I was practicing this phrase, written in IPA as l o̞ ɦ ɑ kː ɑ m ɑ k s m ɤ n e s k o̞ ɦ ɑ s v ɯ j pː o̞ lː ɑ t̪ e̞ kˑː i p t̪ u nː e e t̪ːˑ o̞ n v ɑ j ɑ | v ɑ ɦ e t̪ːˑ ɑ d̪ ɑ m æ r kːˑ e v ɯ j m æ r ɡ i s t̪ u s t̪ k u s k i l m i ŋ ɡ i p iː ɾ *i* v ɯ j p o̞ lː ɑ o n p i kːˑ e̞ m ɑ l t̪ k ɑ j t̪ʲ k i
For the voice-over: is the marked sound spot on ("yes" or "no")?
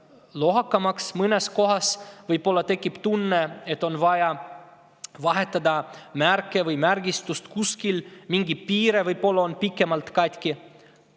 no